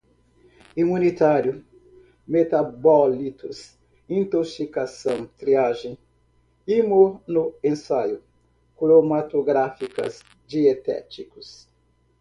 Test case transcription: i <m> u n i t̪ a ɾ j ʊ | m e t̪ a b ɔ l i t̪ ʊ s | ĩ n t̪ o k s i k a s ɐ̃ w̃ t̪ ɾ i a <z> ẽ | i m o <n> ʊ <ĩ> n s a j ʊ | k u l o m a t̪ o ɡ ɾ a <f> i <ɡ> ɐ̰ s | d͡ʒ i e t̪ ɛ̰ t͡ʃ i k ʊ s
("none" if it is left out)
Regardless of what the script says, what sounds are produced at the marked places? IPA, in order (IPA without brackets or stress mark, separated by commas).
m, ʒ, n, ẽ, f, k